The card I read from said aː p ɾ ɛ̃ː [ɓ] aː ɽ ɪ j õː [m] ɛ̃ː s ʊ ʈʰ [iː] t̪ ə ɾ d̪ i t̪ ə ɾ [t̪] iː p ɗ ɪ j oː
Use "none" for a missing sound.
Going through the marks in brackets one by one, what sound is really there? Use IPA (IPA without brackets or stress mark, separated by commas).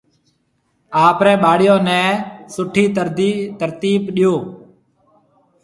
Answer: ɓ, n, iː, t̪